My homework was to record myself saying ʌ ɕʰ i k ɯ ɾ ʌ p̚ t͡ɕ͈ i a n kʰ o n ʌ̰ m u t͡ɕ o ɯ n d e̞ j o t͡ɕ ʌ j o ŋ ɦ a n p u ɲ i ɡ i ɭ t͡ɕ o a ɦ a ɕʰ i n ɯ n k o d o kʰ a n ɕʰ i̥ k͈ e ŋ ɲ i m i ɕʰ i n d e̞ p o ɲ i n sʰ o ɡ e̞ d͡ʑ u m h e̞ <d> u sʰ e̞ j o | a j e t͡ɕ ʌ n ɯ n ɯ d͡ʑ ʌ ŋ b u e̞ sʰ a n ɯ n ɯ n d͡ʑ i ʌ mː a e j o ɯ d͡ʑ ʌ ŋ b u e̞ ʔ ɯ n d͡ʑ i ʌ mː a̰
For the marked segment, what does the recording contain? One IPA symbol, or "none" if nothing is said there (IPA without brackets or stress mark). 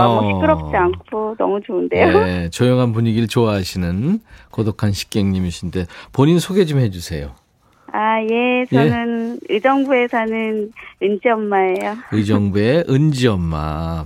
d͡ʑ